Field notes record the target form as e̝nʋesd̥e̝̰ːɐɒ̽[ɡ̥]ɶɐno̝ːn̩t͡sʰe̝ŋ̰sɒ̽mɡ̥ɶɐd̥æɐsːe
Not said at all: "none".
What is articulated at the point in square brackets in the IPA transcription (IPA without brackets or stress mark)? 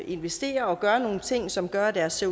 ɡ̥